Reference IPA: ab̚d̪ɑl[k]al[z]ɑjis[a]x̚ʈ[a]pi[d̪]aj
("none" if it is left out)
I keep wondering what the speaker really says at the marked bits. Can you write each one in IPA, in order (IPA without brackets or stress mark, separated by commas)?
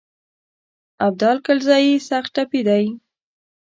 k, z, a, a, d̪